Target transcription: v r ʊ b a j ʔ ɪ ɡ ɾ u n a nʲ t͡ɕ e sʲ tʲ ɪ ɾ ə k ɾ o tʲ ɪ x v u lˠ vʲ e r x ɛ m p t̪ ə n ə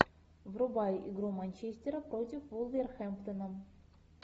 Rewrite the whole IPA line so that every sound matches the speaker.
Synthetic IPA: v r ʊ b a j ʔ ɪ ɡ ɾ u m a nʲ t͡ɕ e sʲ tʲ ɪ ɾ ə p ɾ o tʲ ɪ f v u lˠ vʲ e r x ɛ m p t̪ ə n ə